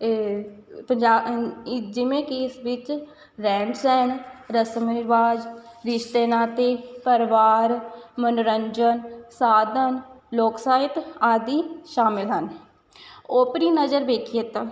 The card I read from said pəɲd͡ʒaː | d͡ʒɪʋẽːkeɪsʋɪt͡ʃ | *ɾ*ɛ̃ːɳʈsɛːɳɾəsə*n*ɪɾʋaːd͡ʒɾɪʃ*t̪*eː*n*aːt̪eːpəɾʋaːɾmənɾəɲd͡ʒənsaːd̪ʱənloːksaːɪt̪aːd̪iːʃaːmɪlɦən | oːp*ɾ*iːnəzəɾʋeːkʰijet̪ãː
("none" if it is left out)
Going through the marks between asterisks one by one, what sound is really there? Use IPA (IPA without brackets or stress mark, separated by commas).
ɾ, m, t̪, n, ɾ